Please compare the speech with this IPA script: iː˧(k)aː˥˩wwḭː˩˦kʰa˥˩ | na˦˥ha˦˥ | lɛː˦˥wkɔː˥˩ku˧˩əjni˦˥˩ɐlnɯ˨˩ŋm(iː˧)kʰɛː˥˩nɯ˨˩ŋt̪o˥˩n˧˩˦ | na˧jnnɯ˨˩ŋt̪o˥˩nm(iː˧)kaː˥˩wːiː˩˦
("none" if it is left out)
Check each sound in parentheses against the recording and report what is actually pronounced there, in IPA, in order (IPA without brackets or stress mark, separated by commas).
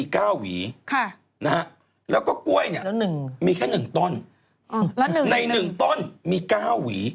k, iː˧, iː˧